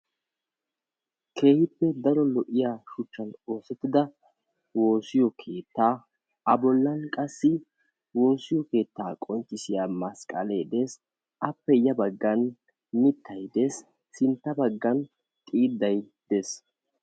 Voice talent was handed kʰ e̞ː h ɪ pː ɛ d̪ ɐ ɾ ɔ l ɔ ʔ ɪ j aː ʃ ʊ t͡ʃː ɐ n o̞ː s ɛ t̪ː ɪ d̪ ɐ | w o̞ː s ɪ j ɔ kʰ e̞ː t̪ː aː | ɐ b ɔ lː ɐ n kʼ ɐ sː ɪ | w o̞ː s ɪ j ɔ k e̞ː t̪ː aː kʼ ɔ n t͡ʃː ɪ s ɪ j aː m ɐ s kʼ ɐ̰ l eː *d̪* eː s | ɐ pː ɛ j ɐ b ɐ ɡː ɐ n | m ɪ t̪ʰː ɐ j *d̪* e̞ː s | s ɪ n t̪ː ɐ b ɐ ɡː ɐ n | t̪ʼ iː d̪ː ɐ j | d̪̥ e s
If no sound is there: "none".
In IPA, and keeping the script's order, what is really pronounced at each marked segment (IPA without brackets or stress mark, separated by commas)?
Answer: d̪, d̪